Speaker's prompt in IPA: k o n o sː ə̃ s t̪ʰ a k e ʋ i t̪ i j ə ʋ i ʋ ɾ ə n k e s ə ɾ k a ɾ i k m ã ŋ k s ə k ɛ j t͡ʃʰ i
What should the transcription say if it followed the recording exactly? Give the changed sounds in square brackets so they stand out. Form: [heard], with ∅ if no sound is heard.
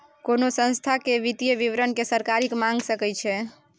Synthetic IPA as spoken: k o n o [s] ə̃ s t̪ʰ a k e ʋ i t̪ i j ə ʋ i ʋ ɾ ə n k e s ə ɾ k a ɾ i k m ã ŋ [ɡ] s ə k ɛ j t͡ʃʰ [ɛ]